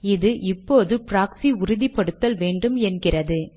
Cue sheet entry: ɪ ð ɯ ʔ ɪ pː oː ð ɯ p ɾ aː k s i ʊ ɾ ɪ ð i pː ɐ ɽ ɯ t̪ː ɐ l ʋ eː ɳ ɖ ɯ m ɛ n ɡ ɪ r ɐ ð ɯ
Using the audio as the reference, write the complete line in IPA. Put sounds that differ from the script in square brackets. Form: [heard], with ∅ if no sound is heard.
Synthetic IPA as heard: ɪ ð ɯ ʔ ɪ pː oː ð ɯ p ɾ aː k s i ʊ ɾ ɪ ð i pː ɐ ɽ ɯ t̪ː ɐ l ʋ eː ɳ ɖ ɯ m ɛ n ɡ ɪ r ɐ ð ɯ